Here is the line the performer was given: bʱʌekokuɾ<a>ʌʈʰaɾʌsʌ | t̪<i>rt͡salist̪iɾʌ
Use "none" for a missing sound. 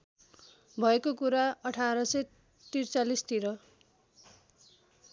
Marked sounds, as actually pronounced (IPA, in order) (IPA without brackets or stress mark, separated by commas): a, i